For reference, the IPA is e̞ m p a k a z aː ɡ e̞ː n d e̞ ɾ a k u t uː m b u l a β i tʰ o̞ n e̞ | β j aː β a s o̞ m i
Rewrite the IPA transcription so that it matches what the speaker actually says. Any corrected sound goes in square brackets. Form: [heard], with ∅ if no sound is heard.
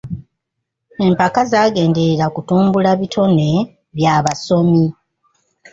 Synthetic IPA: e̞ m p a k a z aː ɡ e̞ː n d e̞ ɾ a k u t uː m b u l a β i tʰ o̞ n e̞ | β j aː β a s o̞ m i